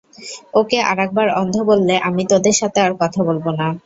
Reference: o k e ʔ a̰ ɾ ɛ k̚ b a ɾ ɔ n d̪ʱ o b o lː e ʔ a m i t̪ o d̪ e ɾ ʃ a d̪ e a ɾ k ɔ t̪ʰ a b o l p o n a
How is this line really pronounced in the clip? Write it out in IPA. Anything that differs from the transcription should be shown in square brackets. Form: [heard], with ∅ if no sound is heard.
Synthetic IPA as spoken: o k e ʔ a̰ ɾ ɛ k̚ b a ɾ ɔ n d̪ʱ o b o lː e ʔ a m i t̪ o d̪ e ɾ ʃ a [t̪] e a ɾ k ɔ t̪ʰ a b o l [b] o n a

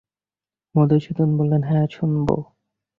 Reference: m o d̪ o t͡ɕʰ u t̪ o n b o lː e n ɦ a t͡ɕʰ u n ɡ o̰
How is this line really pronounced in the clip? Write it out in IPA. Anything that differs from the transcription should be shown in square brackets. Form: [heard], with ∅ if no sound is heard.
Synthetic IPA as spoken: m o d̪ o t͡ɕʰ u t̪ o n b o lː e n ɦ [ɛ] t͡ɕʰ u n [b] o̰

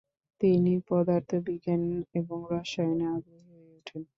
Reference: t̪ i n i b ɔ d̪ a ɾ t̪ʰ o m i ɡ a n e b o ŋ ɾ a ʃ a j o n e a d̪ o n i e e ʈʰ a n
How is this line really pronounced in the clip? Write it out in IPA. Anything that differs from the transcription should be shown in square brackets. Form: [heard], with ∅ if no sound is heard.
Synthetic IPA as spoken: t̪ i n i [p] ɔ d̪ a ɾ t̪ʰ o [b] i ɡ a n e b o ŋ ɾ a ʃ a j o n e a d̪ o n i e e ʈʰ [e] n

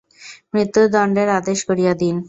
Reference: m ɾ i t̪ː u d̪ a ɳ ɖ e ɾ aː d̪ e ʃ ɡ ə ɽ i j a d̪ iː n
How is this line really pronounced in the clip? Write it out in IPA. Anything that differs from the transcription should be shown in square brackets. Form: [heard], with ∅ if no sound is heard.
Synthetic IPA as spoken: m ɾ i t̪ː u d̪ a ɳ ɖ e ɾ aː d̪ e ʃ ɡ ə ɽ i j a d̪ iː n

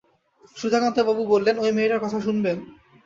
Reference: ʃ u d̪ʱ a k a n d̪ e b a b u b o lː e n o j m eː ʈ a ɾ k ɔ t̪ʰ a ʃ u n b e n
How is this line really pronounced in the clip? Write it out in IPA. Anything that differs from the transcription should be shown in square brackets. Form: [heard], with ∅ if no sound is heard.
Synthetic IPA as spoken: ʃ u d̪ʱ a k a n [t̪] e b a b u b o lː e n o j m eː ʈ a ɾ k ɔ t̪ʰ a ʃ u n b e n

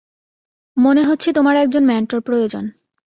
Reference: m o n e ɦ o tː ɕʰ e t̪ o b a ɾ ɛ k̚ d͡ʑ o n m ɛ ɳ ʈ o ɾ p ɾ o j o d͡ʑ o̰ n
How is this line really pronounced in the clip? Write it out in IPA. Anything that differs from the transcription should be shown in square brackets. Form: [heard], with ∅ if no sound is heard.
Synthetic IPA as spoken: m o n e ɦ o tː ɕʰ e t̪ o [m] a ɾ ɛ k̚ d͡ʑ o n m ɛ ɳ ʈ o ɾ p ɾ o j o d͡ʑ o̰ n

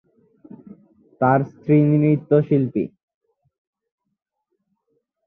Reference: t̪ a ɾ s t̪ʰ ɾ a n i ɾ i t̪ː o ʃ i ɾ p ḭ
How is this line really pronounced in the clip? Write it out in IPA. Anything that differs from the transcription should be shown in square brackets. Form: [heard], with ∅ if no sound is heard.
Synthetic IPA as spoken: t̪ a ɾ s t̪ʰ ɾ [i] n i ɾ i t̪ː o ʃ i [l] p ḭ

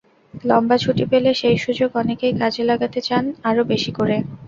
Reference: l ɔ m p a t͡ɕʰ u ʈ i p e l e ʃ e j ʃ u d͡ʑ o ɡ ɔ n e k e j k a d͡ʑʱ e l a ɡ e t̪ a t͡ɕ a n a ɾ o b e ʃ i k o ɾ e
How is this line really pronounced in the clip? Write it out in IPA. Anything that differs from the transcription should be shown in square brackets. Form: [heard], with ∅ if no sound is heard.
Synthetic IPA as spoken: l ɔ m [b] a t͡ɕʰ u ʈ i p e l e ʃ e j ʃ u d͡ʑ o ɡ ɔ n e k e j k a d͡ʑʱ e l a ɡ [a] t̪ [e] t͡ɕ a n a ɾ o b e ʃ i k o ɾ e

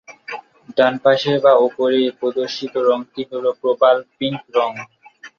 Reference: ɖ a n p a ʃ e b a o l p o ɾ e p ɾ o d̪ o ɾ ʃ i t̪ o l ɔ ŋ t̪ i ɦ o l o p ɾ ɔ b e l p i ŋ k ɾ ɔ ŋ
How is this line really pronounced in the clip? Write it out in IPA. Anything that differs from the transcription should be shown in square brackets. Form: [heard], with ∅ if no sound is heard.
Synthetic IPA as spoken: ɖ a n p a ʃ e b a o [∅] p o ɾ e p ɾ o d̪ o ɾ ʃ i t̪ o [ɾ] ɔ ŋ t̪ i ɦ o l o p ɾ [o] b [a] l p i ŋ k ɾ ɔ ŋ

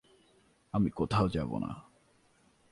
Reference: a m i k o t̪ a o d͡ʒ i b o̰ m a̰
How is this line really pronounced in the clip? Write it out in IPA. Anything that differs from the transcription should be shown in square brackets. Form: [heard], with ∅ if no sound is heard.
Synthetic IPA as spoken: a m i k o [t̪ʰ] a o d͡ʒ [a] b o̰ [n] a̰

